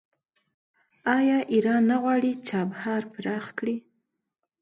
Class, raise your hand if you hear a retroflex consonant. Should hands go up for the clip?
yes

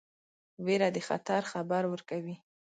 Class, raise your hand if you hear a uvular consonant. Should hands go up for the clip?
no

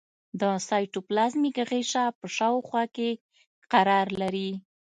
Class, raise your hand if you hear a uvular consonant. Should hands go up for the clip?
yes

